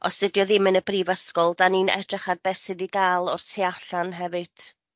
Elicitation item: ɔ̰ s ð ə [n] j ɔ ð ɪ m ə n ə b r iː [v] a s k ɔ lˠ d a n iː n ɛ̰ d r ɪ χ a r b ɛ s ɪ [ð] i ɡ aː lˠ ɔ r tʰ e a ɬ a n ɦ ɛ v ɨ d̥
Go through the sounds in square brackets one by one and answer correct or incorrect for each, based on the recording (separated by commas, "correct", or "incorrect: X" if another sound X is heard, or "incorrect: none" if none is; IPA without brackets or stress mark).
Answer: incorrect: d, correct, correct